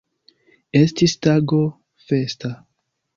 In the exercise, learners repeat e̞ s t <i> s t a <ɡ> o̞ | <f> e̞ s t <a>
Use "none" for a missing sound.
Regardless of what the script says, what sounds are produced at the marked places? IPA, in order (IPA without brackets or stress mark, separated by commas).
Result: i, ɡ, f, a